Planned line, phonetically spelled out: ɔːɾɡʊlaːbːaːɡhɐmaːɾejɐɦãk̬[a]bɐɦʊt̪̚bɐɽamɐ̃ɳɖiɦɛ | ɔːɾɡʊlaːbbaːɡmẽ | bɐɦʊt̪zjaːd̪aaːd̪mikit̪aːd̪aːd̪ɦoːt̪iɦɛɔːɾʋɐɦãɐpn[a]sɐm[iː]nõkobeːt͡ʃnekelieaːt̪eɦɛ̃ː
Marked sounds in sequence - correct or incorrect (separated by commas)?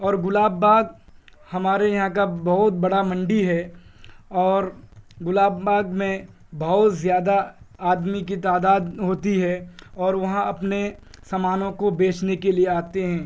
correct, incorrect, incorrect